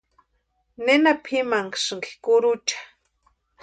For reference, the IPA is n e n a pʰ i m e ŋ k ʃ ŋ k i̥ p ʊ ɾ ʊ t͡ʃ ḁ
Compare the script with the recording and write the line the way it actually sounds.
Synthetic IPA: n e n a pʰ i m a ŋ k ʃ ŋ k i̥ k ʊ ɾ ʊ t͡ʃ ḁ